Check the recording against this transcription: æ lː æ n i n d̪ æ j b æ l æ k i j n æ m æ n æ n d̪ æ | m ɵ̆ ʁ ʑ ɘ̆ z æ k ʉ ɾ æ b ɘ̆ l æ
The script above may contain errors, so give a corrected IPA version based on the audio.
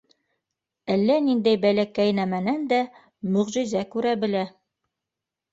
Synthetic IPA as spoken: æ lː æ n i n d̪ æ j b æ l æ k æ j n æ m æ n æ n d̪ æ | m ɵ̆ ʁ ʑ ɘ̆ z æ k ʉ ɾ æ b ɘ̆ l æ